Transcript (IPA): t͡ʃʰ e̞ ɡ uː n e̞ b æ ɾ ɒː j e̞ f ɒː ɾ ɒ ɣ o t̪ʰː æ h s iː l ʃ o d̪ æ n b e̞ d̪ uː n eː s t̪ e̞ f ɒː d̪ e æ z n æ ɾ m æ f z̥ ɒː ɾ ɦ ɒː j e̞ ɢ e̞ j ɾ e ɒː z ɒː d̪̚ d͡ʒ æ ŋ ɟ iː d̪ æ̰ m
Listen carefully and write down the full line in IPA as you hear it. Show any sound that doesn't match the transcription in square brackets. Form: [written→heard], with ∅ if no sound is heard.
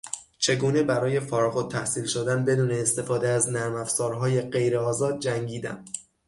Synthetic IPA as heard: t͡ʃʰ e̞ ɡ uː n e̞ b æ ɾ ɒː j e̞ f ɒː ɾ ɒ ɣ o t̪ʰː æ h s iː l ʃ o d̪ æ n b e̞ d̪ uː n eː s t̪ e̞ f ɒː d̪ e æ z n æ ɾ m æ f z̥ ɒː ɾ ɦ ɒː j e̞ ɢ e̞ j ɾ e ɒː z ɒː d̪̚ d͡ʒ æ ŋ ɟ iː d̪ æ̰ m

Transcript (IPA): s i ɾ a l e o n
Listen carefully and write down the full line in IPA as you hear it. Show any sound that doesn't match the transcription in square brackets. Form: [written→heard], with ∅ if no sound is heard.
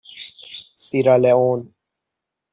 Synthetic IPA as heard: s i ɾ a l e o n

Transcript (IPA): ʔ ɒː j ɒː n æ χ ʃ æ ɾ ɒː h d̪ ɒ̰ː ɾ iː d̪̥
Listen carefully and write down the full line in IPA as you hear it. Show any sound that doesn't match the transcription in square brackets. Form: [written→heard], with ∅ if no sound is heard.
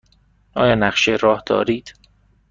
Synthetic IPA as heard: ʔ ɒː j ɒː n æ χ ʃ [æ→e] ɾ ɒː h d̪ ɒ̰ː ɾ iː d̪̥

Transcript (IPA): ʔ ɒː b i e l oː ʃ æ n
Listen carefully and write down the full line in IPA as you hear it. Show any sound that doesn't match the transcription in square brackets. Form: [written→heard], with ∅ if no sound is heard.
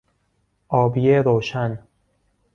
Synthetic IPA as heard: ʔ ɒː b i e [l→ɾ] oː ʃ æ n

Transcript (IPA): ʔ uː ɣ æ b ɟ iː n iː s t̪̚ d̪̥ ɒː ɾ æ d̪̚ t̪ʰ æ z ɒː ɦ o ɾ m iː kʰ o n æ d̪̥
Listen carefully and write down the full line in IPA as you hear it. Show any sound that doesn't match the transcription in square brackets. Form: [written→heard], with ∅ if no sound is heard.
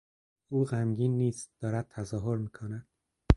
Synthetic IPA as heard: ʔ uː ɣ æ [b→m] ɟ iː [n→nː] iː s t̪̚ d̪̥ ɒː ɾ æ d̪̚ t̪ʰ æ z ɒː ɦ o ɾ m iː kʰ o n æ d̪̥

